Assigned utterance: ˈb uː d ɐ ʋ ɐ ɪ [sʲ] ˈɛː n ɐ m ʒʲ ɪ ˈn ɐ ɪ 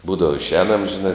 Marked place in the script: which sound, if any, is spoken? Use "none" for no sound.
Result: ʃʲ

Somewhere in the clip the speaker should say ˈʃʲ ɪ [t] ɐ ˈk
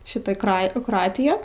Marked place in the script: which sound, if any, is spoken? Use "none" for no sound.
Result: t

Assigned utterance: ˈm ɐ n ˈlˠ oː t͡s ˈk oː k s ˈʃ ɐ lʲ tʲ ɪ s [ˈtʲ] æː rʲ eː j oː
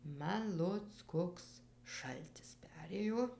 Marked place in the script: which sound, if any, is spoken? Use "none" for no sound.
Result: pʲ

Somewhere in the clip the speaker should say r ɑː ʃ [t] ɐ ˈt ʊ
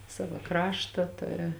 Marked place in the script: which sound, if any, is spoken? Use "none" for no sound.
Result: t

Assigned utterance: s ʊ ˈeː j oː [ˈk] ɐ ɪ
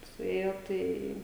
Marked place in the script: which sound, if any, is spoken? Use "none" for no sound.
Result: t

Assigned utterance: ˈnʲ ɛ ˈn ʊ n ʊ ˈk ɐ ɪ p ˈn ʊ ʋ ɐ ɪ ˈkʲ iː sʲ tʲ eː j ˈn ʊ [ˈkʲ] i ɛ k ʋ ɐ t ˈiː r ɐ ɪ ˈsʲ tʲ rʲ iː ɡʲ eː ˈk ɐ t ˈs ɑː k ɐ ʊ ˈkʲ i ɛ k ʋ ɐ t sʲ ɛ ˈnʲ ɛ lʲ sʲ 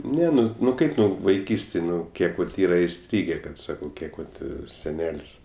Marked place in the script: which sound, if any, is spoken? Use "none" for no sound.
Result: kʲ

